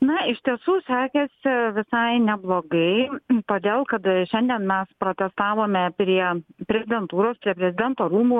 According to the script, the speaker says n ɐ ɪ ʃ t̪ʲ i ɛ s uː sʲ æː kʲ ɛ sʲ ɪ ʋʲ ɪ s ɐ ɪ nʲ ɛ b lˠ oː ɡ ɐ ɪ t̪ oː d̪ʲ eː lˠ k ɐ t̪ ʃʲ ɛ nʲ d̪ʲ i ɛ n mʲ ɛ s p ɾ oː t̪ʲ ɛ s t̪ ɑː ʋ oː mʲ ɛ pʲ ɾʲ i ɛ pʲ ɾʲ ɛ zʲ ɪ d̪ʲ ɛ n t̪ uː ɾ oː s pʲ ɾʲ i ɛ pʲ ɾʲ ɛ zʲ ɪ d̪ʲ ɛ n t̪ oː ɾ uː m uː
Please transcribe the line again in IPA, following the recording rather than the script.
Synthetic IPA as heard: n ɐ ɪ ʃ t̪ʲ i ɛ s uː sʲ æː kʲ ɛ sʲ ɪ ʋʲ ɪ s ɐ ɪ nʲ ɛ b lˠ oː ɡ ɐ ɪ t̪ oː d̪ʲ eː lˠ k ɐ t̪ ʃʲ ɛ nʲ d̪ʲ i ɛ n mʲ ɛ s p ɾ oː t̪ʲ ɛ s t̪ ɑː ʋ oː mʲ ɛ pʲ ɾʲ i ɛ pʲ ɾʲ ɛ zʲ ɪ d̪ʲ ɛ n t̪ uː ɾ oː s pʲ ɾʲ i ɛ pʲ ɾʲ ɛ zʲ ɪ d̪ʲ ɛ n t̪ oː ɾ uː m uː